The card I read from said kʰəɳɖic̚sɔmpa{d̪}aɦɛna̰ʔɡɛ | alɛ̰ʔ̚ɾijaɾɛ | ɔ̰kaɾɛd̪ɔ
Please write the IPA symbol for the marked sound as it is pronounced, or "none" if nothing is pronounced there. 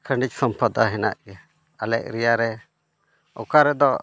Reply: d̪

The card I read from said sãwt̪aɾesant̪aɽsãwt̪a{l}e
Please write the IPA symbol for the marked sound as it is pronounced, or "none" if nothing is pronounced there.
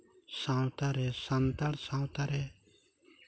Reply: ɾ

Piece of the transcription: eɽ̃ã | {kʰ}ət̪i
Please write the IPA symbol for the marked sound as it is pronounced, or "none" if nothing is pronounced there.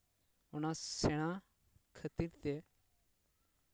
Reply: kʰ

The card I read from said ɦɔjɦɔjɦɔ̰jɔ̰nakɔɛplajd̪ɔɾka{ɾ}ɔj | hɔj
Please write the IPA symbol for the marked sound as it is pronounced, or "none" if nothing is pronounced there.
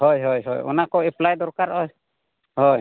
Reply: ɾ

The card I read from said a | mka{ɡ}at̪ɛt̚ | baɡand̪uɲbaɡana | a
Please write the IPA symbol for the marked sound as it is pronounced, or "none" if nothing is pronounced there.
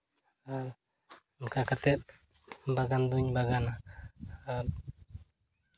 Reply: k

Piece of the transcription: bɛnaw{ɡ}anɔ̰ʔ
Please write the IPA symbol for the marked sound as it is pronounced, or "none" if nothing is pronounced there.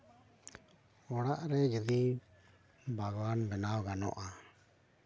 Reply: ɡ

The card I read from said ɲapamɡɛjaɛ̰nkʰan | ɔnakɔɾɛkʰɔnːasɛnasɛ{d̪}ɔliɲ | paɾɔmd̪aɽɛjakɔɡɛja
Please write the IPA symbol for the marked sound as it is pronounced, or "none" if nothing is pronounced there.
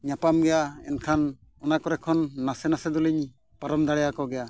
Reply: d̪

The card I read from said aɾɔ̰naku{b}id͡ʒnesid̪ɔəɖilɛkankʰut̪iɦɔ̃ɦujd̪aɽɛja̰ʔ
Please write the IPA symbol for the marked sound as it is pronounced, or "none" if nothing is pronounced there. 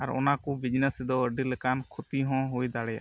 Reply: b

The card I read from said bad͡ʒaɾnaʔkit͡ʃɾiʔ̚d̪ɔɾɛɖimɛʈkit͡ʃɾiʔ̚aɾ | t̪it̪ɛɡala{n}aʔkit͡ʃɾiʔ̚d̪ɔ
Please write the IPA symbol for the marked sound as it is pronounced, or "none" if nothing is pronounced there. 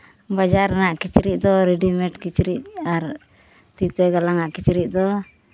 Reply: ŋ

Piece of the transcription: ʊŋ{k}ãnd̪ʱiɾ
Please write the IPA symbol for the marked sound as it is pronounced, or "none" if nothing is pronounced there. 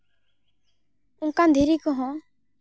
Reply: k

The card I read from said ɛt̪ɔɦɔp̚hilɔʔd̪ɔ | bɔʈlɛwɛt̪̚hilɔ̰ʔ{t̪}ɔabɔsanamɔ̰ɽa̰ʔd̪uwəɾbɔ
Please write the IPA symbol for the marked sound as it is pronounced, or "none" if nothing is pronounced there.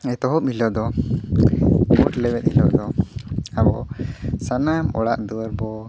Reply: d̪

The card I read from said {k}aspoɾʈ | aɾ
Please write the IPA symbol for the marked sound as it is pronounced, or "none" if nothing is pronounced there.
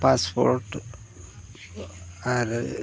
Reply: p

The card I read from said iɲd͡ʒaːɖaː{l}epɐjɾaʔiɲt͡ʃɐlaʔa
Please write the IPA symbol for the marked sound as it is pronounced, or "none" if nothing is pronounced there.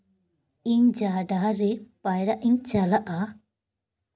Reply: ɾ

